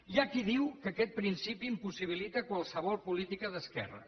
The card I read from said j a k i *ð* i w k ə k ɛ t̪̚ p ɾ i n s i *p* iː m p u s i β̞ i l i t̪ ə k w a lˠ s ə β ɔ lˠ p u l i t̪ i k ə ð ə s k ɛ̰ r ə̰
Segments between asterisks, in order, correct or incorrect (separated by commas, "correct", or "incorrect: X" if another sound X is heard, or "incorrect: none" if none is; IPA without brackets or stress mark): correct, correct